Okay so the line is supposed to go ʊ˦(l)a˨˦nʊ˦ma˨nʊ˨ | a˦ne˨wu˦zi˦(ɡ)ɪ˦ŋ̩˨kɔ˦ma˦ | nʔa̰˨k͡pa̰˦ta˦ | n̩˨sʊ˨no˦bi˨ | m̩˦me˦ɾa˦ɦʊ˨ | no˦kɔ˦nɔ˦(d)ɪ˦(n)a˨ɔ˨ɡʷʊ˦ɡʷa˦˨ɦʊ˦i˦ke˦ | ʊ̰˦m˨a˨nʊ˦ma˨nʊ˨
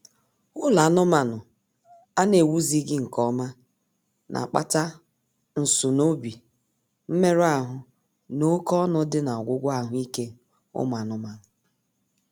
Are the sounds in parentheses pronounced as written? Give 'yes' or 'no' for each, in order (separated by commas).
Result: yes, yes, yes, yes